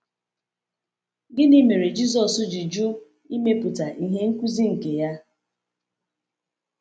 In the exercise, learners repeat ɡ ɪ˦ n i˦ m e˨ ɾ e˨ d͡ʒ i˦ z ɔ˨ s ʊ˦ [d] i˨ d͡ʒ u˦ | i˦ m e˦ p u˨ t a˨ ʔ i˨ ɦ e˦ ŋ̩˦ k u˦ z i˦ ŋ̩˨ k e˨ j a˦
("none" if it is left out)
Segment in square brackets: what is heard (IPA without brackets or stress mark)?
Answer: d͡ʒ